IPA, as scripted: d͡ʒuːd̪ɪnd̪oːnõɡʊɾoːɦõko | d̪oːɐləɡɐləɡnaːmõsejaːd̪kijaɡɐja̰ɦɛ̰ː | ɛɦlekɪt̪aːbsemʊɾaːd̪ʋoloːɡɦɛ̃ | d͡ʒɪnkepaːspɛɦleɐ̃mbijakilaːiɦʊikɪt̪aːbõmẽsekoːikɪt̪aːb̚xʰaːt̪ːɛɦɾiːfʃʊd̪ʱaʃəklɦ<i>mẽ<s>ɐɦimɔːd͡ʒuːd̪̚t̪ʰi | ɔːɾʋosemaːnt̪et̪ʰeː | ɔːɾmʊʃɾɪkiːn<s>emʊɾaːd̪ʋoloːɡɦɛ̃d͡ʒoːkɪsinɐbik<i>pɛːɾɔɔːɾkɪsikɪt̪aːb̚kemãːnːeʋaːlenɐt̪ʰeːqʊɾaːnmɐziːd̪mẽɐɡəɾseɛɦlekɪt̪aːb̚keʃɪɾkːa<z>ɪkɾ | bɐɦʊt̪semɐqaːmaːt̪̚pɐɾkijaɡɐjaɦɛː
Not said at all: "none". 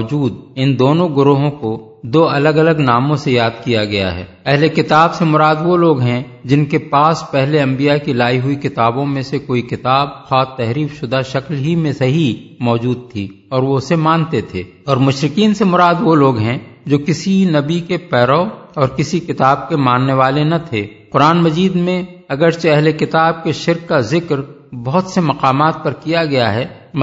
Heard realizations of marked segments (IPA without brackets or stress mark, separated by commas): i, s, s, e, z